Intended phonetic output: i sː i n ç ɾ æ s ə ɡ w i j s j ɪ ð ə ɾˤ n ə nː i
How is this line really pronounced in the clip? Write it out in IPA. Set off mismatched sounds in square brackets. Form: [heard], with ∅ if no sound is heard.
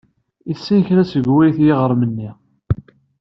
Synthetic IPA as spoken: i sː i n ç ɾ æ s ə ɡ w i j [θ] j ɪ [ʁ] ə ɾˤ [m] ə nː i